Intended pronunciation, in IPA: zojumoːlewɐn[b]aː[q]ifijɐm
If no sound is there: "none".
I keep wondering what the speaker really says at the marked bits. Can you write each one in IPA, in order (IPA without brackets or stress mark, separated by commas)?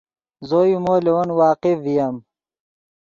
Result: w, q